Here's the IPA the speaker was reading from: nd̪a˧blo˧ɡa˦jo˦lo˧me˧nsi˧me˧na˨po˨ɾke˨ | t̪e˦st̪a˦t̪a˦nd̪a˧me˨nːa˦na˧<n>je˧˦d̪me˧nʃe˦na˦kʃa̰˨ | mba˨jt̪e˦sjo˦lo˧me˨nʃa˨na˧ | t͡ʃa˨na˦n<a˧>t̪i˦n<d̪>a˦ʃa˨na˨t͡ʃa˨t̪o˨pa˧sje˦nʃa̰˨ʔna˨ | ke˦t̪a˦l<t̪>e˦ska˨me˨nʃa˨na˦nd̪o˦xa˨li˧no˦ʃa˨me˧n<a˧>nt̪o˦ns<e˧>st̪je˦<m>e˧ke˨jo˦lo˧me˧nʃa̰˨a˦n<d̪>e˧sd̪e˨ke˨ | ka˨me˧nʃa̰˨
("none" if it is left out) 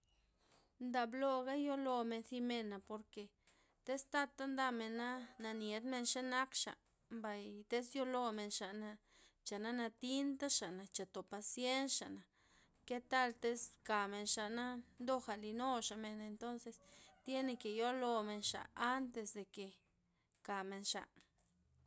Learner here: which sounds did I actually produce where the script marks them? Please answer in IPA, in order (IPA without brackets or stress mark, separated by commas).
n, a˧, t̪, t̪, e˧, e˧, n, t̪